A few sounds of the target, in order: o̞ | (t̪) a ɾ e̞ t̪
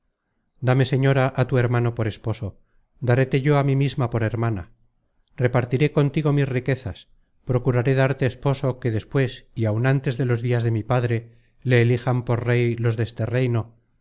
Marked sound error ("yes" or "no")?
yes